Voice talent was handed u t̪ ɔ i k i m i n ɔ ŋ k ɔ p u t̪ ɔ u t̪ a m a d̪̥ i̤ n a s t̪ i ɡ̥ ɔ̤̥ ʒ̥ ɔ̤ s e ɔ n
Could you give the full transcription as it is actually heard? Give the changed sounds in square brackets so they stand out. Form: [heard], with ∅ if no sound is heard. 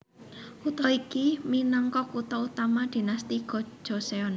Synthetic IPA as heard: u t̪ ɔ i k i m i n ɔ ŋ k ɔ [k] u t̪ ɔ u t̪ a m a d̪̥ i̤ n a s t̪ i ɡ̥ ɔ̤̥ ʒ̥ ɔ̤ s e ɔ n

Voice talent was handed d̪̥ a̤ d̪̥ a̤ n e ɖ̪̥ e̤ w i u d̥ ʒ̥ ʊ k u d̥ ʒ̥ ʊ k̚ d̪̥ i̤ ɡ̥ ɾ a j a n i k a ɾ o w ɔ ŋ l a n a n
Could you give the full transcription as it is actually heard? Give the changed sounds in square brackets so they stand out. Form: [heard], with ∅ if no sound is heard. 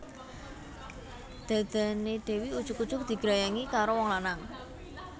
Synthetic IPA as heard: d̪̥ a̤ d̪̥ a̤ n e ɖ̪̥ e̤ w i u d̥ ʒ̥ ʊ k u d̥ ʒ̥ ʊ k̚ d̪̥ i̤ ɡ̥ ɾ a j a [ŋ] i k a ɾ o w ɔ ŋ l a n a [ŋ]

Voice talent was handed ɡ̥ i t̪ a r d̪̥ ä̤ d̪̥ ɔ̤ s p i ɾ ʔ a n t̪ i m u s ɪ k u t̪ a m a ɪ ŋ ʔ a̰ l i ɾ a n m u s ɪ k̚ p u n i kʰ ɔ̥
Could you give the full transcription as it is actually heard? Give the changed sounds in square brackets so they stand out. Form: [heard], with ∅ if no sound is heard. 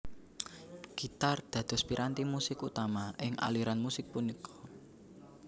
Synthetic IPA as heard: ɡ̥ i t̪ a r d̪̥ ä̤ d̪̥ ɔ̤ s p i ɾ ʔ a n t̪ i m u s ɪ k u t̪ a m a ɪ ŋ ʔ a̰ l i ɾ a n m u s ɪ k̚ p u n i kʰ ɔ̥

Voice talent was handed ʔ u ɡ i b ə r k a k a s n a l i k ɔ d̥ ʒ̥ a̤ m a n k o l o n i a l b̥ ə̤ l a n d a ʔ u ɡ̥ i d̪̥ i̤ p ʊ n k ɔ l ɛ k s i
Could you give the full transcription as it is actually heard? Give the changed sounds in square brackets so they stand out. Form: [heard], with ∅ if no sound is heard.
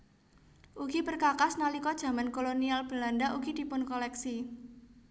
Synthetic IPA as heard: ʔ u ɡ i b ə r k a k a s n a l i k ɔ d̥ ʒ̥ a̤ m a n k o l o n i a l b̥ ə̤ l a n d a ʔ u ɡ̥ i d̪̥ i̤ p ʊ n k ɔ l ɛ k s i

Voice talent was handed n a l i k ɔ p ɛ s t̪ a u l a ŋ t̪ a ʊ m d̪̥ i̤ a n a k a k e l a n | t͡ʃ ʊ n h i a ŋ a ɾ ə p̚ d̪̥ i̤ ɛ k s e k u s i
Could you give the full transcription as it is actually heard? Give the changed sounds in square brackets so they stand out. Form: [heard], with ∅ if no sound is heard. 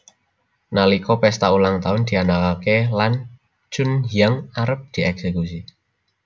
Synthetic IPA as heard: n a l i k ɔ p ɛ s t̪ a u l a ŋ t̪ a ʊ [n] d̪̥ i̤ a n a k a k e l a n | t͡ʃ ʊ n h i a ŋ a ɾ ə p̚ d̪̥ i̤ ɛ k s e k u s i

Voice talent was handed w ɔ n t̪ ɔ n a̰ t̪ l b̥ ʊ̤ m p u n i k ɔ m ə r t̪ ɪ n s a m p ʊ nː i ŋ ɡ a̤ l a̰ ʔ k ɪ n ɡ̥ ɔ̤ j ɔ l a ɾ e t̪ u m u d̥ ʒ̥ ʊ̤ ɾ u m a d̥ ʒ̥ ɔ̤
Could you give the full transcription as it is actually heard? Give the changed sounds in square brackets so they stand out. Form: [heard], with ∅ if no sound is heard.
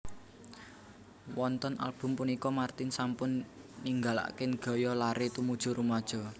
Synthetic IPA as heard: w ɔ n t̪ ɔ n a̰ [∅] l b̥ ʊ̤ m p u n i k ɔ m [a] r t̪ ɪ n s a m p ʊ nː i ŋ ɡ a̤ l a̰ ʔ k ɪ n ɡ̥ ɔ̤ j ɔ l a ɾ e t̪ u m u d̥ ʒ̥ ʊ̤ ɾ u m a d̥ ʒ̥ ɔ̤

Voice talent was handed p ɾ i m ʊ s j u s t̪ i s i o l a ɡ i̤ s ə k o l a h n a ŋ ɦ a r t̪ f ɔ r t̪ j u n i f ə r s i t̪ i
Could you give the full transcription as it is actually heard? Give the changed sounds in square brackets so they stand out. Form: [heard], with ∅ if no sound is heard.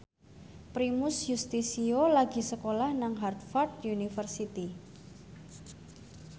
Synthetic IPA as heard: p ɾ i m ʊ s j u s t̪ i s i o l a ɡ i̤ s ə k o l a h n a ŋ ɦ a r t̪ f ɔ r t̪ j u n i f ə r s i t̪ i

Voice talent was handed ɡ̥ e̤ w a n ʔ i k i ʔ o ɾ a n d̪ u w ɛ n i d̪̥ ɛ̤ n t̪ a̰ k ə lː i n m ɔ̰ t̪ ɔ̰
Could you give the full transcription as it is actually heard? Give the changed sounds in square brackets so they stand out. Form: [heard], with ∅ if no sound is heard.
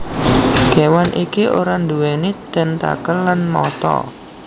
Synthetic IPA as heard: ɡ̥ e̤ w a n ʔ i k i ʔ o ɾ a n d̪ u w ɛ n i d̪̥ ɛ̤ n t̪ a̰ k ə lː [a] n m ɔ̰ t̪ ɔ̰

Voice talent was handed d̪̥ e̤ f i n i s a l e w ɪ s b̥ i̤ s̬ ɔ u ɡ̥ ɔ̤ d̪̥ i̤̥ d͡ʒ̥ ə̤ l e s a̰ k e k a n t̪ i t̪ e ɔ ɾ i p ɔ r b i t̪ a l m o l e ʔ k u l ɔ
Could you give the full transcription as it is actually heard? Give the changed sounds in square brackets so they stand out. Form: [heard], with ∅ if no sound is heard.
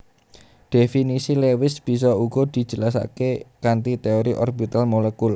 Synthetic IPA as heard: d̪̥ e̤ f i n i s [i] l e w ɪ s b̥ i̤ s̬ ɔ u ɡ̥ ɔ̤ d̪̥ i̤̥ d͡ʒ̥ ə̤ l [a] s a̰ k e k a n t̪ i t̪ e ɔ ɾ i [ʔ] ɔ r b i t̪ a l m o l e [∅] k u l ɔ

